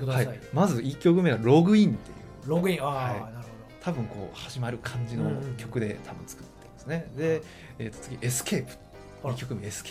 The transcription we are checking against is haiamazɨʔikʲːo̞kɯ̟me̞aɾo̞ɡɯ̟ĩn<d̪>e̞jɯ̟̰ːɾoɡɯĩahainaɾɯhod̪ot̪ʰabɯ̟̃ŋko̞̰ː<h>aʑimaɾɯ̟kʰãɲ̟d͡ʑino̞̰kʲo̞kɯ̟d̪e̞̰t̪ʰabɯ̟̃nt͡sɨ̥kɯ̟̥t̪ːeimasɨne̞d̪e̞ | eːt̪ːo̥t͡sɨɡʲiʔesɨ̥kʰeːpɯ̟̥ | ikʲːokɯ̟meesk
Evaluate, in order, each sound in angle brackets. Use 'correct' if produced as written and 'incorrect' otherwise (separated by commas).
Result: incorrect, correct